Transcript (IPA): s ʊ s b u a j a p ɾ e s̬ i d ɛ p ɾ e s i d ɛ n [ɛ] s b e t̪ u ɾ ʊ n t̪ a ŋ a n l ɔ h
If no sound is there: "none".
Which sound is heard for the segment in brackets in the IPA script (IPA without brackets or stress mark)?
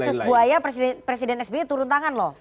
ɛ